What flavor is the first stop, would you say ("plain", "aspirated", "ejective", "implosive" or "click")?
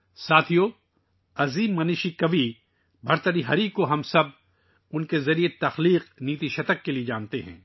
aspirated